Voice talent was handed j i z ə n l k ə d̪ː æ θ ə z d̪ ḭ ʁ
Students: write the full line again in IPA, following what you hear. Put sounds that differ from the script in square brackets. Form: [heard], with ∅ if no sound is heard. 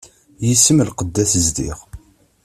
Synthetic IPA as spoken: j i [s] ə [m] l [q] ə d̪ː æ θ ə z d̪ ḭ ʁ